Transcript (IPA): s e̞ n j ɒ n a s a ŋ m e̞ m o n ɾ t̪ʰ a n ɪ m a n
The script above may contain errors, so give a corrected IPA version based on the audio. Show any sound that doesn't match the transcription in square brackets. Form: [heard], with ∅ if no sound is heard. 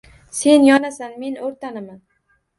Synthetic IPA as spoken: s e̞ n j ɒ n a s a [n] m e̞ [n] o [∅] ɾ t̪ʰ a n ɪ m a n